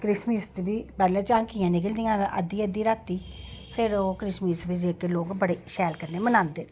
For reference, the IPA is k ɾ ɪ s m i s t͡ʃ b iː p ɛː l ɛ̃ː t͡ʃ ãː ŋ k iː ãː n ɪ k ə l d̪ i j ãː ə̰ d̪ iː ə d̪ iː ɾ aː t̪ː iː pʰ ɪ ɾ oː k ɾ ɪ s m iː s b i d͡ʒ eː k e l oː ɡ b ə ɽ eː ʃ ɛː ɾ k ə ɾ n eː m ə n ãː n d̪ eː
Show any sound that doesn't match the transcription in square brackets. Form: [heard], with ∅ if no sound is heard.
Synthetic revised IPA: k ɾ ɪ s m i s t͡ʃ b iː p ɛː l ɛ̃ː t͡ʃ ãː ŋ k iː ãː n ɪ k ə l d̪ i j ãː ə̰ d̪ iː ə d̪ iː ɾ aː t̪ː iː pʰ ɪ ɾ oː k ɾ ɪ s m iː s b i d͡ʒ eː k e l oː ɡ b ə ɽ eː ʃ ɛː [l] k ə ɾ n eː m ə n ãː n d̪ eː